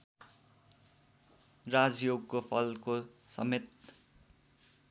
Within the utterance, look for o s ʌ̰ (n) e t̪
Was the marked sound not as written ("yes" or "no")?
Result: yes